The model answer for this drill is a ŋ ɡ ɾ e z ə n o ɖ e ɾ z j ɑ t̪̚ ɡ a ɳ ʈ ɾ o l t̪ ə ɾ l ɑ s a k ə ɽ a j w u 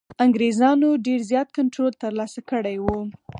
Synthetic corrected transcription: a ŋ ɡ ɾ e z ɑ n o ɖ e ɾ z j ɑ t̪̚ k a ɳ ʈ ɾ o l t̪ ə ɾ l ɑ s a k ə ɽ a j w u